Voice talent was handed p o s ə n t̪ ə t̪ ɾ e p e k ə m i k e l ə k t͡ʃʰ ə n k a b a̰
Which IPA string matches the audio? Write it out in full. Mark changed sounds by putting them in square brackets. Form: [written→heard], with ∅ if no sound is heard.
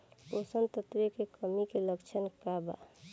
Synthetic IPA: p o s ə n t̪ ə t̪ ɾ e [p→k] e k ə m i k e l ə k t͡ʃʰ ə n k a b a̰